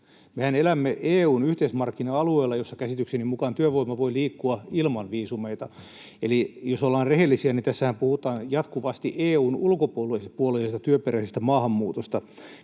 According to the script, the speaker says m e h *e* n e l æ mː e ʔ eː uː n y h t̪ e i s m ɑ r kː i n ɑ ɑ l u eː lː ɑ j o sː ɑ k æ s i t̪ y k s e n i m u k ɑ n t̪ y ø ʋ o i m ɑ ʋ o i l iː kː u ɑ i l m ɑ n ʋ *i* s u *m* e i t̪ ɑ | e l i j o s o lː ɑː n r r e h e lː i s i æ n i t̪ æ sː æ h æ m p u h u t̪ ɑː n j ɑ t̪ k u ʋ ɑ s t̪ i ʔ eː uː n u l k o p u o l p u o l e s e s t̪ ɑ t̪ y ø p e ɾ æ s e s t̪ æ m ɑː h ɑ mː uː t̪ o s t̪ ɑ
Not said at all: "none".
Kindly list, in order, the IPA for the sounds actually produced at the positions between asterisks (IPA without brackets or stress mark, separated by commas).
æ, iː, m